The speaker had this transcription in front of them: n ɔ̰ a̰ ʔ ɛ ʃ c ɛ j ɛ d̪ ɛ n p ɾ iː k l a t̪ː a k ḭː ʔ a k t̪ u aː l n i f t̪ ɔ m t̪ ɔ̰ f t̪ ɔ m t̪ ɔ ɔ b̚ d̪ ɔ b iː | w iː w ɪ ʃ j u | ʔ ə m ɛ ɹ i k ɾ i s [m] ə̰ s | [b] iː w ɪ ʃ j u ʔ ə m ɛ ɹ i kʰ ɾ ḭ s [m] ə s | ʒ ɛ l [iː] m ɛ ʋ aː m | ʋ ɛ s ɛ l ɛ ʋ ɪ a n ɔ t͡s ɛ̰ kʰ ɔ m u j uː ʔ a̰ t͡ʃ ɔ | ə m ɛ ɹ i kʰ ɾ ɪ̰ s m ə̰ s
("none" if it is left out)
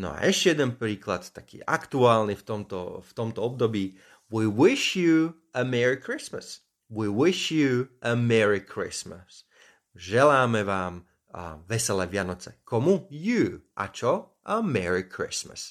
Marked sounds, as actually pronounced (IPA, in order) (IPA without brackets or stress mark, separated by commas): m, w, m, aː